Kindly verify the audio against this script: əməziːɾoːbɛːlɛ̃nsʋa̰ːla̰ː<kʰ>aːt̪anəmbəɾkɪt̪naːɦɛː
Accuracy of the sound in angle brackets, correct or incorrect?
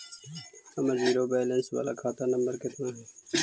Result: correct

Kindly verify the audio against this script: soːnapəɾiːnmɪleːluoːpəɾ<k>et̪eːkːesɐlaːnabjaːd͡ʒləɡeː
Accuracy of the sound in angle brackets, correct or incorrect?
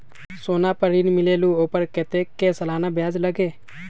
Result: correct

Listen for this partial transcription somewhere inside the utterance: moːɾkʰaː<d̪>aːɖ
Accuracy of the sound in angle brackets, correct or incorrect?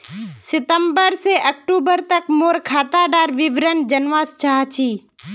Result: incorrect: t̪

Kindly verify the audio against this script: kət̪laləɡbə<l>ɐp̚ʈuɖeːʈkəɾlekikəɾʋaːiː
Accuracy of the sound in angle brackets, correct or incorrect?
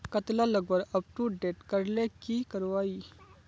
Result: incorrect: ɾ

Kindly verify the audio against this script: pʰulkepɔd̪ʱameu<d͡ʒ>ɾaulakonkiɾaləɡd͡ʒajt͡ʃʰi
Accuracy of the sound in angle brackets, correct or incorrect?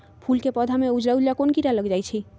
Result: correct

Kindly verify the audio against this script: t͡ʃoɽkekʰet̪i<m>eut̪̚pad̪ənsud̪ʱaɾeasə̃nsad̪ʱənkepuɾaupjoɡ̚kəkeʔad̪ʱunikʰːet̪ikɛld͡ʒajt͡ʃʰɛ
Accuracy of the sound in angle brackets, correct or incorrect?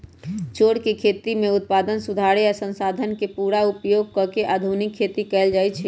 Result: correct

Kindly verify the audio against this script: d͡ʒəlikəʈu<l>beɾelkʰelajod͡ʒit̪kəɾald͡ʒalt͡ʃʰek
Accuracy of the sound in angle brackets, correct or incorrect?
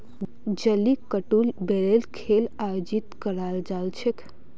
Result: correct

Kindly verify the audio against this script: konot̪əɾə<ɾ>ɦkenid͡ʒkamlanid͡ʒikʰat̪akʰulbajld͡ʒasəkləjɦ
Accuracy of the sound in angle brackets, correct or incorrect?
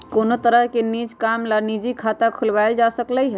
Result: incorrect: none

